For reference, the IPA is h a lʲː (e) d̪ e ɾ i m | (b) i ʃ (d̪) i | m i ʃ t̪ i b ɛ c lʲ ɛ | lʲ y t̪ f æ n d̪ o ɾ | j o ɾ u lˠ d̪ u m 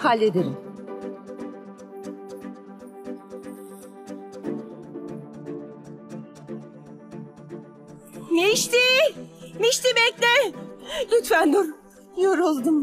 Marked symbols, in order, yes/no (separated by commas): yes, no, no